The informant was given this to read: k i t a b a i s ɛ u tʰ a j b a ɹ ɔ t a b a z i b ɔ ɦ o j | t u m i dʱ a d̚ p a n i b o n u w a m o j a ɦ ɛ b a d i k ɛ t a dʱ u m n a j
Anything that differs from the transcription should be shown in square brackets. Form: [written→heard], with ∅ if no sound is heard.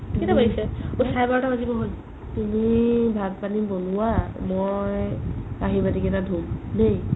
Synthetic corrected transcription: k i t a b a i s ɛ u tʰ a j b a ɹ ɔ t a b a z i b ɔ ɦ o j | t u m i [dʱ→bʱ] a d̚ p a n i b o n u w a m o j a ɦ [ɛ→i] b a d i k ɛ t a dʱ u m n [a→e] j